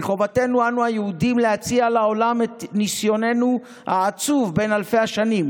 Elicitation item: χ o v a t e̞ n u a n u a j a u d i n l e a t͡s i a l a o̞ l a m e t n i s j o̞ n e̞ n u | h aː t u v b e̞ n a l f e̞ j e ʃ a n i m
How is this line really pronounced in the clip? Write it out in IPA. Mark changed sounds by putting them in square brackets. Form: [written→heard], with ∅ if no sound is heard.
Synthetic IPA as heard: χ o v a t e̞ n u a n u a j [a→e] u d i [n→m] l e a t͡s i a l a o̞ l a m e t n i s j o̞ n e̞ n u | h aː [t→t͡s] u v b e̞ n a l f e̞ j [e→a] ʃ a n i m

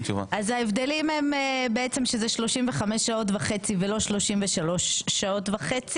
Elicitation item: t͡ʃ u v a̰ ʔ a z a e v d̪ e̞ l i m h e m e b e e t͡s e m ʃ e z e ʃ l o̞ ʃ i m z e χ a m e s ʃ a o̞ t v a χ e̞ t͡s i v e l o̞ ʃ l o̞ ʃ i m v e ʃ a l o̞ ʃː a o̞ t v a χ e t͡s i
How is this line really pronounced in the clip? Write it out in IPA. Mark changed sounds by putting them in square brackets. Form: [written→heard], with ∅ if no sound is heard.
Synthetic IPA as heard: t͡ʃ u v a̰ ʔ a z a e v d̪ e̞ l i m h e m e b e e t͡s e m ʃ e z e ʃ l o̞ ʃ i m [z→v] e χ a m e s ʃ a o̞ t v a χ e̞ t͡s i v e l o̞ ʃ l o̞ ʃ i m v e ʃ a l o̞ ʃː a o̞ t v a χ e t͡s i

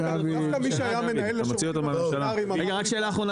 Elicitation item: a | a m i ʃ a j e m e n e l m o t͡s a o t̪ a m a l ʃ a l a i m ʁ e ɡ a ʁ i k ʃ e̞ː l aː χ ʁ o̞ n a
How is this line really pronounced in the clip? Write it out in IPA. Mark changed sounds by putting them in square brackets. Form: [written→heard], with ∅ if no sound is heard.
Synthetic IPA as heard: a | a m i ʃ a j [e→a] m e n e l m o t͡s [a→i] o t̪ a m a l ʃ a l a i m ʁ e ɡ a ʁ [i→a] k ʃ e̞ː l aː χ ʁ o̞ n a

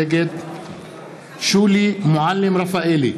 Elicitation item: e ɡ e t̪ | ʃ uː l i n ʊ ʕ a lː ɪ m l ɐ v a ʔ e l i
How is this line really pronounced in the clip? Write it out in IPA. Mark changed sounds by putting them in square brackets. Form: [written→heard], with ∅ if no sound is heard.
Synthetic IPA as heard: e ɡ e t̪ | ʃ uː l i [n→m] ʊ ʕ a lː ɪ m [l→ɾ] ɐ [v→f] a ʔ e l i

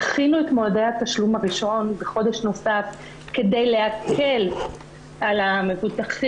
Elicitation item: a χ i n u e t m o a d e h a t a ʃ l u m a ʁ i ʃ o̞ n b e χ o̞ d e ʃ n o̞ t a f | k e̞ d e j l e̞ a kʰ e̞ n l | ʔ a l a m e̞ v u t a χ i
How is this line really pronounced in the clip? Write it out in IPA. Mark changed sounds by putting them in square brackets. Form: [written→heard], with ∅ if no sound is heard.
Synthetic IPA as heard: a χ i n u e t m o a d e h a t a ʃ l u m a ʁ i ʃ o̞ n b e χ o̞ d e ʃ n o̞ [t→s] a f | k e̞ d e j l e̞ a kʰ e̞ [n→∅] l | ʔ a l a m e̞ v u t a χ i

